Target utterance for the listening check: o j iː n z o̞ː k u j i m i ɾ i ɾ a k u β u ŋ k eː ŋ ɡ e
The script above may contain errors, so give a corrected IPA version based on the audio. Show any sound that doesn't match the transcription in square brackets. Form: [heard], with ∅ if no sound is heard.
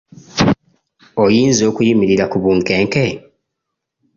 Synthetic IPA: o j iː n z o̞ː k u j i m i ɾ i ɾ a k u β u ŋ k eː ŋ [k] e